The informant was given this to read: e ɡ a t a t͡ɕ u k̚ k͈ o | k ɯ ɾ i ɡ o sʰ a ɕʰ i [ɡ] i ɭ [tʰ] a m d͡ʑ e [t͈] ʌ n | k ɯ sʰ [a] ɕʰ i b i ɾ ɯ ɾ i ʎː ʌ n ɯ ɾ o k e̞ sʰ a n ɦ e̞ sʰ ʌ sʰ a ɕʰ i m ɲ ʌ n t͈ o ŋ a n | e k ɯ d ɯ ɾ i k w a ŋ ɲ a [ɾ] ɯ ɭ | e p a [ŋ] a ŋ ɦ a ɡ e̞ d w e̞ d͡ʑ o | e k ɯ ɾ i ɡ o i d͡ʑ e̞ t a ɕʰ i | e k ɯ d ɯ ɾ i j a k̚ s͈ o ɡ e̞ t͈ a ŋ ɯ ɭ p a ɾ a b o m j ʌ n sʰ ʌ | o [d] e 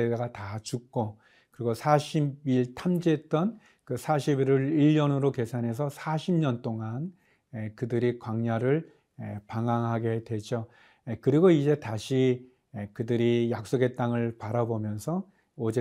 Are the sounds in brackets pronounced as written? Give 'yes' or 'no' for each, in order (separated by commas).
no, yes, yes, yes, yes, yes, no